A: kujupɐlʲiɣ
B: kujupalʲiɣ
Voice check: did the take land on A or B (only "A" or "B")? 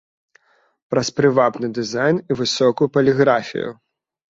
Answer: A